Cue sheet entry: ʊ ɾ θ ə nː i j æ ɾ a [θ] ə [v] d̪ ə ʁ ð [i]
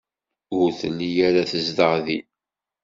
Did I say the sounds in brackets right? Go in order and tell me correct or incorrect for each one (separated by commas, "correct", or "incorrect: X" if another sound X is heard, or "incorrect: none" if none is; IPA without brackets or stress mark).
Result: correct, incorrect: z, correct